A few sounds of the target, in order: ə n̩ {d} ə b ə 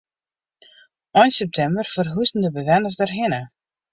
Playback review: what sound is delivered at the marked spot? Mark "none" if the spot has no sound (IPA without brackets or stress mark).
d